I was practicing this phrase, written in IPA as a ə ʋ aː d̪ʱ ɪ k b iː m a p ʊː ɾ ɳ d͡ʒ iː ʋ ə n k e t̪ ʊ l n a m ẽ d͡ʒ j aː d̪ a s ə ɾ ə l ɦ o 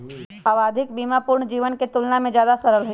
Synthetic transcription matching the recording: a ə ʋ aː d̪ʱ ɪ k b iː m a p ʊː ɾ ɳ d͡ʒ iː ʋ ə n k e t̪ ʊ l n a m ẽ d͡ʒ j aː d̪ a s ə ɾ ə l ɦ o